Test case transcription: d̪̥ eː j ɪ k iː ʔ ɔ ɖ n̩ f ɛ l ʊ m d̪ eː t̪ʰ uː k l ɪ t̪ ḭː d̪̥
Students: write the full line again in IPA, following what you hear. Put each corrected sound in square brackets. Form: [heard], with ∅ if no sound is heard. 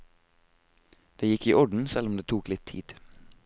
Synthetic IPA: d̪̥ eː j ɪ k iː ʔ ɔ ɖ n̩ [s] ɛ l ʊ m d̪ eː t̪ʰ uː k l ɪ [t̪ʰ] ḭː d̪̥